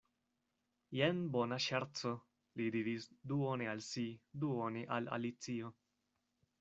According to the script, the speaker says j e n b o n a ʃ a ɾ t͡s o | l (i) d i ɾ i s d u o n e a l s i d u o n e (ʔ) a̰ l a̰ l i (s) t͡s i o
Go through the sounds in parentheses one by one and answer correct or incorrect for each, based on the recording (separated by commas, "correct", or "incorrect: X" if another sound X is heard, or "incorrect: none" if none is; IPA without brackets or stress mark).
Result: correct, correct, incorrect: none